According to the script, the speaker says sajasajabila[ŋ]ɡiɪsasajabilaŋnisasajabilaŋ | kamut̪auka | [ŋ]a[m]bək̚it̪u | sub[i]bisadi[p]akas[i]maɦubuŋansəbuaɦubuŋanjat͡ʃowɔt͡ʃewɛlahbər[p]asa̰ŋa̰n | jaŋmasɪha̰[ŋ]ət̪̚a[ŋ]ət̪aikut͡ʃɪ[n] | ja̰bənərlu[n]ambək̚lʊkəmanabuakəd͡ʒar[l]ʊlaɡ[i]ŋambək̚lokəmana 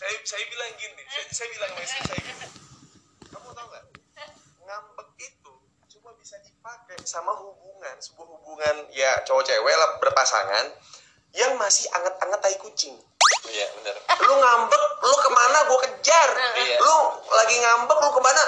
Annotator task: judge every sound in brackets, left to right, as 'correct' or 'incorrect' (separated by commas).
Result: correct, correct, correct, incorrect, correct, incorrect, correct, correct, correct, incorrect, incorrect, correct, correct